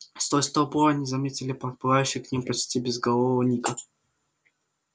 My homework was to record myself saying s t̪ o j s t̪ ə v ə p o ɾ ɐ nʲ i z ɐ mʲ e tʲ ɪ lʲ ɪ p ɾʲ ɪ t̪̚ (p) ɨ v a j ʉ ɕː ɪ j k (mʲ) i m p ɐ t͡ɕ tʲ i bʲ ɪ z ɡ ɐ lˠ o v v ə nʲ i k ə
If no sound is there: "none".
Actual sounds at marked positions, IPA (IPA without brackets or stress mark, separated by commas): p, nʲ